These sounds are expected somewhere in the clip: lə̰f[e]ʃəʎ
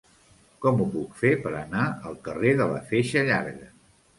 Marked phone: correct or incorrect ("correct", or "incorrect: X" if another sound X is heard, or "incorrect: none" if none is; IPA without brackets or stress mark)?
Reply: correct